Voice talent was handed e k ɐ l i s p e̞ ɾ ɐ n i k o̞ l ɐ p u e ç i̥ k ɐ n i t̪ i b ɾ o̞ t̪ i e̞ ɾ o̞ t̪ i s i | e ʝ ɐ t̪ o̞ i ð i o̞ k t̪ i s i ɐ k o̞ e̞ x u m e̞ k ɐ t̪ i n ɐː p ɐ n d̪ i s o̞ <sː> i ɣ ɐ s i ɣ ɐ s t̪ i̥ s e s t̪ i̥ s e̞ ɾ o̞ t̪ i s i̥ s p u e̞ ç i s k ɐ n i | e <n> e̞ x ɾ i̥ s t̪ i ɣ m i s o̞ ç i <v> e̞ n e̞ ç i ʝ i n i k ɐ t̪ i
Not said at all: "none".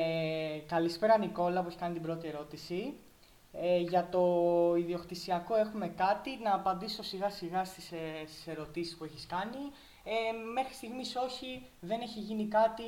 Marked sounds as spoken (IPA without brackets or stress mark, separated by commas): s, m, ð